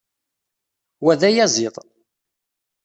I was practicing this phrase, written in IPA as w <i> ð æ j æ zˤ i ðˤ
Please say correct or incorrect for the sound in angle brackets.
incorrect